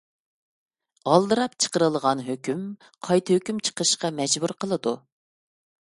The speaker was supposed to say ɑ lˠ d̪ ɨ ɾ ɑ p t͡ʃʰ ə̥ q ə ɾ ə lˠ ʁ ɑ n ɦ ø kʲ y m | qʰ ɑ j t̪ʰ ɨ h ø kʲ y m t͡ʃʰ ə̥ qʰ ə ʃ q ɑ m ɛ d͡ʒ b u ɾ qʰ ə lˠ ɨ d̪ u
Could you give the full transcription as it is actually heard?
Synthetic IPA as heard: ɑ lˠ d̪ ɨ ɾ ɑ p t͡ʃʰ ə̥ q ə ɾ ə lˠ ʁ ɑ n ɦ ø kʲ y m | qʰ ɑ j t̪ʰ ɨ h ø kʲ y m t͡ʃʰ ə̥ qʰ ə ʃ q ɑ m ɛ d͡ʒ b u ɾ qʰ ə lˠ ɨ d̪ u